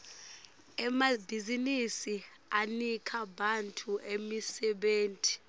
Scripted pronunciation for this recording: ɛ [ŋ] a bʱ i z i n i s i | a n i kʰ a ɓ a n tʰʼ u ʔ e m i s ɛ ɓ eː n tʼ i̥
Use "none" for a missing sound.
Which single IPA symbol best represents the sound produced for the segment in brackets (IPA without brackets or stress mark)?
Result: m